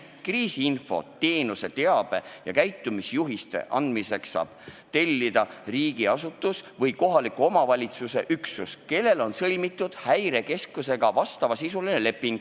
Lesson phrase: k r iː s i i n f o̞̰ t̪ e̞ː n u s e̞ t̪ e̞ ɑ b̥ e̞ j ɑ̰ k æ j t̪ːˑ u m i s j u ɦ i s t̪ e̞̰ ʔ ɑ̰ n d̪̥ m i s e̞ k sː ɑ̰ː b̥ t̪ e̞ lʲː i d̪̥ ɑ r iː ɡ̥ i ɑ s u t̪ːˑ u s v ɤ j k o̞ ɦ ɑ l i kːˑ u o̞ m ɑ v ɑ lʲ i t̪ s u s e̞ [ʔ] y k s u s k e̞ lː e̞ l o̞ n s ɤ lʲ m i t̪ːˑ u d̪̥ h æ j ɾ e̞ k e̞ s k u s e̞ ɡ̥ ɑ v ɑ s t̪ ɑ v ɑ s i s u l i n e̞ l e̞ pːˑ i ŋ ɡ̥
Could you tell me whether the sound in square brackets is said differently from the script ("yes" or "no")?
no